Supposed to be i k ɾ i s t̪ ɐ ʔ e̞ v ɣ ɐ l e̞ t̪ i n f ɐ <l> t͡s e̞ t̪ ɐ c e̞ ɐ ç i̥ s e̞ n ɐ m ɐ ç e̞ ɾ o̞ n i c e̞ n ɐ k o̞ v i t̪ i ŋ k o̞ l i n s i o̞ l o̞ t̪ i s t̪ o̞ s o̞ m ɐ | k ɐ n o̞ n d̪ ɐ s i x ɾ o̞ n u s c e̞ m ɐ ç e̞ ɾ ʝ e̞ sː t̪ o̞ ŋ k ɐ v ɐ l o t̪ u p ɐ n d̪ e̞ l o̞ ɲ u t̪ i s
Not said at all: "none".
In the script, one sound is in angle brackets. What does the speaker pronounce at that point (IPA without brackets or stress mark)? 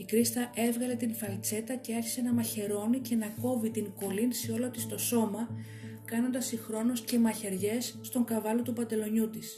l